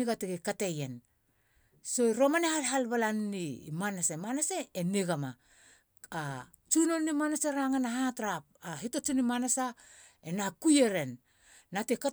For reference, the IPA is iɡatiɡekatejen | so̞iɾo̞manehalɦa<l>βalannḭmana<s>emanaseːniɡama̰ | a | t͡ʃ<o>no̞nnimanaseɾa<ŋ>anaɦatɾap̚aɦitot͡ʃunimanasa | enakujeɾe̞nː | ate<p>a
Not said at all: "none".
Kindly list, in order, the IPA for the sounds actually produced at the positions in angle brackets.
l, s, u, ŋ, k

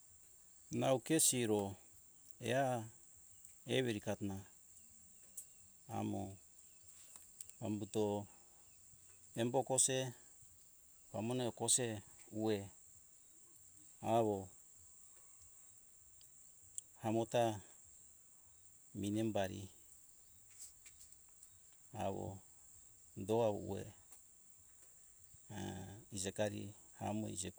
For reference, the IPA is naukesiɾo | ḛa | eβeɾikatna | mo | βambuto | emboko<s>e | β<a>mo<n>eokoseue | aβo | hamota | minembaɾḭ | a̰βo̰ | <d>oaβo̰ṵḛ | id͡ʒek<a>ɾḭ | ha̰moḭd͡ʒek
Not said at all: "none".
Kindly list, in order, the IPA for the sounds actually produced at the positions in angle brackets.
s, a, n, d, a

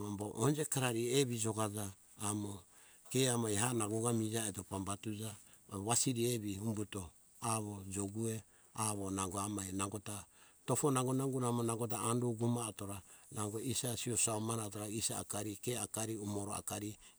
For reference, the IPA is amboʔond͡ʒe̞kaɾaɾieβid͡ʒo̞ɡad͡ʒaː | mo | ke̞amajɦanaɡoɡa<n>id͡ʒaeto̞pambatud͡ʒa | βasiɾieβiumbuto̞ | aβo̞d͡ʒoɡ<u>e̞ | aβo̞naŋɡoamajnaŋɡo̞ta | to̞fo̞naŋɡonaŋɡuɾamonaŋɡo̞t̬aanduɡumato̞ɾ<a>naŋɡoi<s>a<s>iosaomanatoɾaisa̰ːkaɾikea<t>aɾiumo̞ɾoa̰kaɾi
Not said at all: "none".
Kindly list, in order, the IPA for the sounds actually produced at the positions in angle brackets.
m, u, a, s, s, k

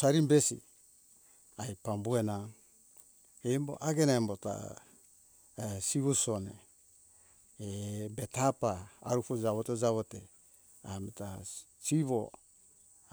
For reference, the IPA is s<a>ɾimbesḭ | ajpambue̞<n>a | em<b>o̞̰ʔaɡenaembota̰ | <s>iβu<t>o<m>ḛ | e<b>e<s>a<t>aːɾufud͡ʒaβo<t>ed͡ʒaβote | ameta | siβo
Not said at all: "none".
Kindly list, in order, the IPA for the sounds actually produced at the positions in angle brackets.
a, n, b, s, s, n, b, t, p, t

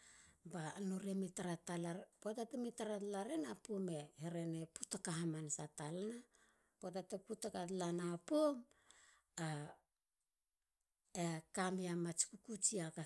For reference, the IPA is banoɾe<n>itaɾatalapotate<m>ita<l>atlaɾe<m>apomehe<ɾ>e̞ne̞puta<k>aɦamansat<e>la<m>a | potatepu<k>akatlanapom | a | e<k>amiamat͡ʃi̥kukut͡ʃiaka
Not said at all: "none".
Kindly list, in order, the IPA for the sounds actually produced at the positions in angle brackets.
m, m, ɾ, n, ɾ, k, a, n, t, k

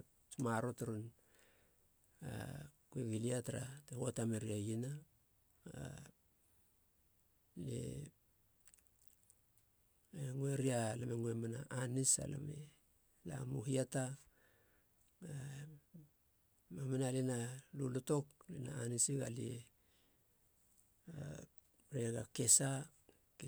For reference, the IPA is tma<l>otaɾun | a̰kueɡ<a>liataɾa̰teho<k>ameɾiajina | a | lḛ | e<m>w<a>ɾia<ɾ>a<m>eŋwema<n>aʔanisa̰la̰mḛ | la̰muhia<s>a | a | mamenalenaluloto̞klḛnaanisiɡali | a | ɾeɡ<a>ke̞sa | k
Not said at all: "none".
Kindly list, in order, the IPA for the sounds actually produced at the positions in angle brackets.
ɾ, i, t, ŋ, e, l, m, n, t, a

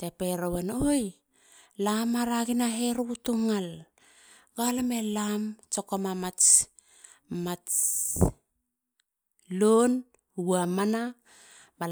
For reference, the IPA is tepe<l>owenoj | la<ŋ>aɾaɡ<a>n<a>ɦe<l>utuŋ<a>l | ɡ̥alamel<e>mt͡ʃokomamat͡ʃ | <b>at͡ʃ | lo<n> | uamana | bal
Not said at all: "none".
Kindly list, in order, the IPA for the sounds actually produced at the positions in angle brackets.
ɾ, m, i, a, ɾ, a, a, m, n

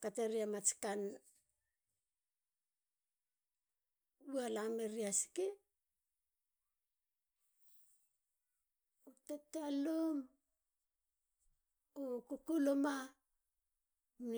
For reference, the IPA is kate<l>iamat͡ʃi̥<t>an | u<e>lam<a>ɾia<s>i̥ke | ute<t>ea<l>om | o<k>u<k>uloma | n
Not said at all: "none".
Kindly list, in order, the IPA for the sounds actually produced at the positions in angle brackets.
ɾ, k, a, e, s, t, l, k, k

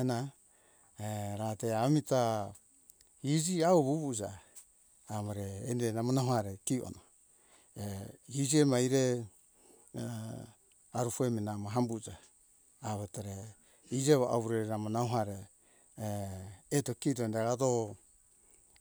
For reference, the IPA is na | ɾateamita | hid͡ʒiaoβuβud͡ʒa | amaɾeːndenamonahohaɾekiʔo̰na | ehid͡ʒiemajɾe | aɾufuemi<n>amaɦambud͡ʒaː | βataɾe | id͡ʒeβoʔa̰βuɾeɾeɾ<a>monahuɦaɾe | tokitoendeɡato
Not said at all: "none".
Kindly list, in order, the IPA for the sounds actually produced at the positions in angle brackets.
n, a

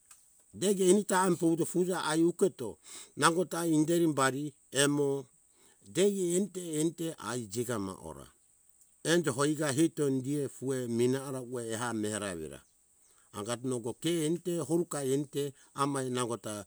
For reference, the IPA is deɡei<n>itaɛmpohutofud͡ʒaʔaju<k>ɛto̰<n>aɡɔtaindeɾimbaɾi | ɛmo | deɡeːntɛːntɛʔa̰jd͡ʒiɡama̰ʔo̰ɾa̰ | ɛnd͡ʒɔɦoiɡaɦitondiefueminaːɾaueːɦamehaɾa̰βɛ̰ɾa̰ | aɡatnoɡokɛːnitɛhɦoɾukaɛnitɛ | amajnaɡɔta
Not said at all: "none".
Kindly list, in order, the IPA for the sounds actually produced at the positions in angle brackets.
n, k, n

